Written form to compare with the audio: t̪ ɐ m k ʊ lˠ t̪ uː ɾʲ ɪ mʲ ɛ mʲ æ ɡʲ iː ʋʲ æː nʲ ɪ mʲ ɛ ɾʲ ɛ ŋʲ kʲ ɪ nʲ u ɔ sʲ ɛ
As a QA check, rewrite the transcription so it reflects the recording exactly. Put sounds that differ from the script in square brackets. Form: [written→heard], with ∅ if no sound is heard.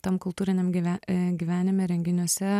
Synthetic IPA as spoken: t̪ ɐ m k ʊ lˠ t̪ uː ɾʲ ɪ [mʲ→nʲ] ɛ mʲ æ ɡʲ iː ʋʲ æː nʲ ɪ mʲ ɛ ɾʲ ɛ ŋʲ [kʲ→ɡʲ] ɪ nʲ u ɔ sʲ ɛ